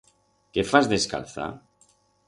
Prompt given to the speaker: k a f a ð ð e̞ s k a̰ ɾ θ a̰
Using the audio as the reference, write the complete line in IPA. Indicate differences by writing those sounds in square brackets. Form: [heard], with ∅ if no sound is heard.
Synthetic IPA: k [e] f a [z] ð e̞ s k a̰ [l] θ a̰